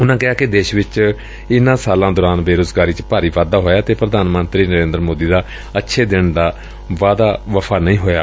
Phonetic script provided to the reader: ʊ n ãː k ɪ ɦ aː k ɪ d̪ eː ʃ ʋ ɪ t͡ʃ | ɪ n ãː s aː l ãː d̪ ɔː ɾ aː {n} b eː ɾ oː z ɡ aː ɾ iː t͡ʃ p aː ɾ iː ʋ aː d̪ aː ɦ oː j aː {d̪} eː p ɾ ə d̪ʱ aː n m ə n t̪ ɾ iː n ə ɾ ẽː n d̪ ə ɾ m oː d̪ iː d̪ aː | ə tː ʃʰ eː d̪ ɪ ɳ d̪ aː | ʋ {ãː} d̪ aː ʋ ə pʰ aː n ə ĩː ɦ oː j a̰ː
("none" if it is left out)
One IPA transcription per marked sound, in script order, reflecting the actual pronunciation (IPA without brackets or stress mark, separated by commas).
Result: n, t̪, aː